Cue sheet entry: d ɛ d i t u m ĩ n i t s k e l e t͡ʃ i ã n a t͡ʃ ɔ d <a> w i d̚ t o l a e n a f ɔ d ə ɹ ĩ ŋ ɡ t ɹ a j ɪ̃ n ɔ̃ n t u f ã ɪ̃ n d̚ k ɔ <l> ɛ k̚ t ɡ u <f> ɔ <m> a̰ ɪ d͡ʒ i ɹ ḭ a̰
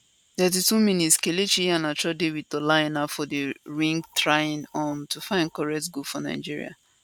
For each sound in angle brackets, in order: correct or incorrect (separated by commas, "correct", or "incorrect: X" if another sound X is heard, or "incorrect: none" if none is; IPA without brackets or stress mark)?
incorrect: e, incorrect: ɹ, correct, incorrect: n